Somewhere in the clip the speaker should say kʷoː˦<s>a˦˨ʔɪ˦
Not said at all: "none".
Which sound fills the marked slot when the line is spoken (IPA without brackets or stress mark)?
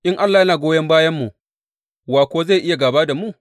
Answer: z